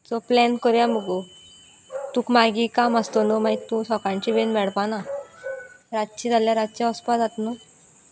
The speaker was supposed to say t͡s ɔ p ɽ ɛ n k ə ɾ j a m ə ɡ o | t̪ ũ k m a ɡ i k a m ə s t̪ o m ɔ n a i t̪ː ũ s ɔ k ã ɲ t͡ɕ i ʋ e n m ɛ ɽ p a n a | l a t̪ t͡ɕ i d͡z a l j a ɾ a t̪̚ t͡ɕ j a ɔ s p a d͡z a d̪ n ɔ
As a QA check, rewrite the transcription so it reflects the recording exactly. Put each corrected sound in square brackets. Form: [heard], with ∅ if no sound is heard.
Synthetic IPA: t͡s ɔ p [l] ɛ n k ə ɾ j a m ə ɡ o | t̪ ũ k m a ɡ i k a m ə s t̪ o [n] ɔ [m] a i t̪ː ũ s ɔ k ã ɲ t͡ɕ i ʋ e n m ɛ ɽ p a n a | [ɾ] a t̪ t͡ɕ i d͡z a l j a ɾ a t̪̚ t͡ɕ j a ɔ s p a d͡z a [t̪] n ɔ